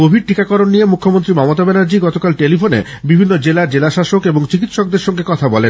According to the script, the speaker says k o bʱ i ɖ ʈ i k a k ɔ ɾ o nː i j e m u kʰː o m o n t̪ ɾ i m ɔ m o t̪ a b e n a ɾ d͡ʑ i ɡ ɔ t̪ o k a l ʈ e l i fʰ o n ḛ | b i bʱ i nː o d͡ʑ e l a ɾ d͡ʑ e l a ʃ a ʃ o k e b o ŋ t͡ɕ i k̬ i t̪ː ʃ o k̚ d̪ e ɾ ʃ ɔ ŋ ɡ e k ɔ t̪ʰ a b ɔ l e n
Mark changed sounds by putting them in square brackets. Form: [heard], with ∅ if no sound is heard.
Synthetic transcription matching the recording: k o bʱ i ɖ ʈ i k a k ɔ ɾ o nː i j e m u kʰː o m o n t̪ ɾ i m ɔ m o t̪ a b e n a ɾ d͡ʑ i ɡ ɔ t̪ o k a l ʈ e l i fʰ o n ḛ | b i bʱ i nː o d͡ʑ e l a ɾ d͡ʑ e l a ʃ a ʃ o k e b o ŋ t͡ɕ i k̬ i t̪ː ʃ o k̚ d̪ e ɾ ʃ ɔ ŋ ɡ e k ɔ t̪ʰ a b ɔ l e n